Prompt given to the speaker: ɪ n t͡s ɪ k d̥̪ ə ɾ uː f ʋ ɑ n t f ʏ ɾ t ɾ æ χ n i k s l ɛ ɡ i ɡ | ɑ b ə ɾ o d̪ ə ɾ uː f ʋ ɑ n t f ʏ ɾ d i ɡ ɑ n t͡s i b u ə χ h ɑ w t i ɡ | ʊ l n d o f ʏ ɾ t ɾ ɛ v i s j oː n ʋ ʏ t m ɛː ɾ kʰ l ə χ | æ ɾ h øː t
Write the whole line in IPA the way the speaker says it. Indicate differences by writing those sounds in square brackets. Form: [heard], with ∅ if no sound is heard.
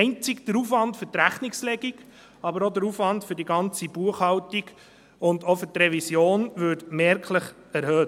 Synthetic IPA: ɪ n t͡s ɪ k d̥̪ ə ɾ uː f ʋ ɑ n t f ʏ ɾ t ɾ æ χ n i k s l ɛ ɡ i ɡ | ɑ b ə ɾ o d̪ ə ɾ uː f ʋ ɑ n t f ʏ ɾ d i ɡ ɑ n t͡s i b u ə χ h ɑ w t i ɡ | ʊ [∅] n d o f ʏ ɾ t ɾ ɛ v i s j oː n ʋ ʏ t m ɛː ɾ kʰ l ə χ | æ ɾ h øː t